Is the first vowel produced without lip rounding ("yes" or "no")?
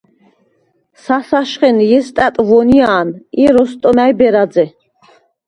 yes